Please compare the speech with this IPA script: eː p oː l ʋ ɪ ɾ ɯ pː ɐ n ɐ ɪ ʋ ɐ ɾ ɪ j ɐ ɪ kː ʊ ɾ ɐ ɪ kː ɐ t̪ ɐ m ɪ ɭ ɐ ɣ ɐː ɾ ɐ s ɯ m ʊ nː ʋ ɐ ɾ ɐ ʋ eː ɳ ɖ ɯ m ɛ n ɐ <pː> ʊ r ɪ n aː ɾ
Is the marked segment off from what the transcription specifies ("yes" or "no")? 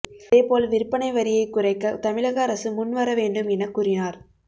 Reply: yes